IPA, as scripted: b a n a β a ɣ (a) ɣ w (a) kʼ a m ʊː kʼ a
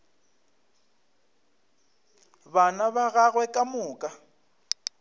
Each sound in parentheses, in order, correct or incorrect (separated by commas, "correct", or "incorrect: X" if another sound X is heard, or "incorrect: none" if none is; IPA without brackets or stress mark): correct, incorrect: ɛ